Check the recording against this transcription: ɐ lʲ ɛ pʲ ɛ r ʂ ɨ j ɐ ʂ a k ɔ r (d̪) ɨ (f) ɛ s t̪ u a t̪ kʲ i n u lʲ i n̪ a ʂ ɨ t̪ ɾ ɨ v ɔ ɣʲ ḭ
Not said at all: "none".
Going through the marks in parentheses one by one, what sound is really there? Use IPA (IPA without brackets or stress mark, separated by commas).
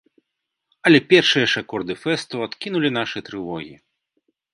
d̪, f